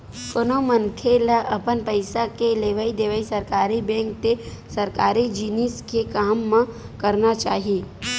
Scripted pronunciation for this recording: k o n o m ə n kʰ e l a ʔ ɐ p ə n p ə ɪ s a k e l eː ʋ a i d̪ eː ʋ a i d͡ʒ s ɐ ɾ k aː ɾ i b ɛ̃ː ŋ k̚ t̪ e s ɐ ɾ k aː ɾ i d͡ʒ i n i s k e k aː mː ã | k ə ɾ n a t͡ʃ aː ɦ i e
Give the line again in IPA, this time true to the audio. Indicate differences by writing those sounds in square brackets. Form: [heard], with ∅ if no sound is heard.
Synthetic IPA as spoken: k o n o m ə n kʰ e l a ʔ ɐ p ə n p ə ɪ s a k e l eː ʋ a i d̪ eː ʋ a i [∅] s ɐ ɾ k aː ɾ i b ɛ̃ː ŋ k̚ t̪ e s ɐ ɾ k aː ɾ i d͡ʒ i n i s k e k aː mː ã | k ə ɾ n a t͡ʃ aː ɦ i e